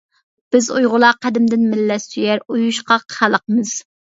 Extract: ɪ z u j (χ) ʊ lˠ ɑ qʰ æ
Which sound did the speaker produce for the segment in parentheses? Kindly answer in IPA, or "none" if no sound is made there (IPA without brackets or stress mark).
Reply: ʁ